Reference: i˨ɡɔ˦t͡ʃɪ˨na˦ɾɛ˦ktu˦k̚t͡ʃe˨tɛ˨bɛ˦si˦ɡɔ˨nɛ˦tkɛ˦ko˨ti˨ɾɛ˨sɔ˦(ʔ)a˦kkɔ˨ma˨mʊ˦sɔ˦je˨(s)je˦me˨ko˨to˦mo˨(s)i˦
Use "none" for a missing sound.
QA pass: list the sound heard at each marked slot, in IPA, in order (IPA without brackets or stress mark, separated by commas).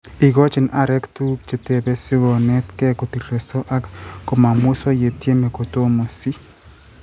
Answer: ʔ, t, s